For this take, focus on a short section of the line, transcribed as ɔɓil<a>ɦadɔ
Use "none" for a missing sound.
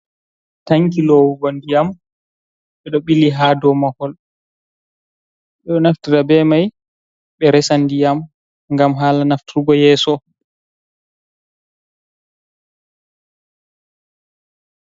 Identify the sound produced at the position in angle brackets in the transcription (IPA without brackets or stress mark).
i